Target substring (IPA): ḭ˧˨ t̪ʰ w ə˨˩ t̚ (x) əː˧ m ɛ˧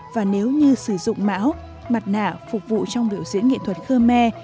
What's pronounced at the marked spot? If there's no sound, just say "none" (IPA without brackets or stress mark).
x